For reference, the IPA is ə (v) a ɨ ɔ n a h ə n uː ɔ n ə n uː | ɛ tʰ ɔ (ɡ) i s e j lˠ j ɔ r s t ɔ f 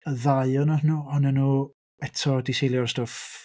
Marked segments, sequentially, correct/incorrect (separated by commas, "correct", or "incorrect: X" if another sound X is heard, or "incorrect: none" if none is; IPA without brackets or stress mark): incorrect: ð, incorrect: d